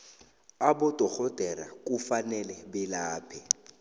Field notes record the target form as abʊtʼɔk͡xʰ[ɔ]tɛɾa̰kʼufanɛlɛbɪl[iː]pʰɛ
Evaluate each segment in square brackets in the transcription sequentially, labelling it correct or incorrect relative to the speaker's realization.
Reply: correct, incorrect

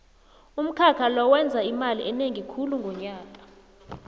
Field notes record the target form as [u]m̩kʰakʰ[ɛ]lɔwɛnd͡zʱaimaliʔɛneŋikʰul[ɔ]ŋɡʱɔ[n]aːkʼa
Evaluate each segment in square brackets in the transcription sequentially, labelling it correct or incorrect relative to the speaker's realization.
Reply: correct, incorrect, incorrect, incorrect

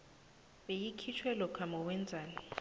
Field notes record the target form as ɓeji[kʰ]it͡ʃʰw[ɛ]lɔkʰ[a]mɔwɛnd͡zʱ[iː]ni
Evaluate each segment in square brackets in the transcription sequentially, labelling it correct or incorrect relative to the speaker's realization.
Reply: correct, correct, correct, incorrect

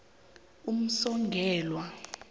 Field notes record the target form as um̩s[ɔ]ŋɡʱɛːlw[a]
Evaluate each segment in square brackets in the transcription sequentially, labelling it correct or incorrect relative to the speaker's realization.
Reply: correct, correct

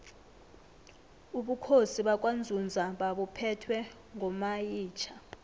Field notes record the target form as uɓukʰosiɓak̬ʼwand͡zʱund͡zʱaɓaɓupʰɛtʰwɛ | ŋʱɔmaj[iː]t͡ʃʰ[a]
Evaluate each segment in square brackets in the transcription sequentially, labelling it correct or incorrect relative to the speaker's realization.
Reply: correct, correct

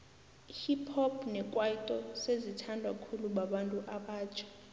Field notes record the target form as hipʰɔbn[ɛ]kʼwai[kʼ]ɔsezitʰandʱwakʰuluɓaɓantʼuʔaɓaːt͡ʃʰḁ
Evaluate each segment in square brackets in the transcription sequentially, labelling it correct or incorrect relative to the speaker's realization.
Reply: correct, incorrect

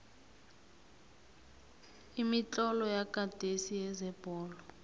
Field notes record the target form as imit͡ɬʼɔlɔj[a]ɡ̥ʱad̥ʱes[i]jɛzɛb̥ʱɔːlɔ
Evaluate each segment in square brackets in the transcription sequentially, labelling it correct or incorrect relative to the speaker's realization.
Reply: correct, correct

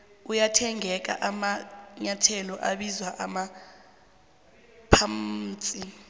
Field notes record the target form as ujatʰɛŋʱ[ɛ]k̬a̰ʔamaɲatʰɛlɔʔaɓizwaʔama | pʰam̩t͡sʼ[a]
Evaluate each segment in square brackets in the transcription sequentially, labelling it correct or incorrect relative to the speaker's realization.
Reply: correct, incorrect

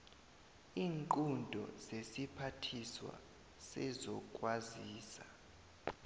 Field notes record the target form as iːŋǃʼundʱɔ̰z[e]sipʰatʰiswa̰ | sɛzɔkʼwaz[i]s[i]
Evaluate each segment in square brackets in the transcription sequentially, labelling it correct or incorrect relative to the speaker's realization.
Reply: correct, incorrect, incorrect

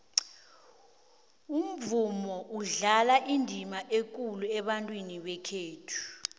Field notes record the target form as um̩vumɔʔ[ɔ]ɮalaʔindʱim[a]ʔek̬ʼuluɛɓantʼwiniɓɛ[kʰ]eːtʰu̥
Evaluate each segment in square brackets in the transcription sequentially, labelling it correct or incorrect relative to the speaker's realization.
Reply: incorrect, correct, correct

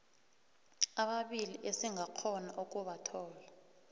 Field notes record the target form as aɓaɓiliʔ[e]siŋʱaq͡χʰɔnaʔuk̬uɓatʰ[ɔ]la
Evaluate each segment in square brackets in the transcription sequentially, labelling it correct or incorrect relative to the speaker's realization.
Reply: correct, incorrect

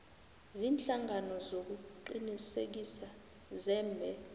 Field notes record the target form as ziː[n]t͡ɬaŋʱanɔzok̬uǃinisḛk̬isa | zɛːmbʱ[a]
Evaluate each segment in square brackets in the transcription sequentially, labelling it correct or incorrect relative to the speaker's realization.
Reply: correct, incorrect

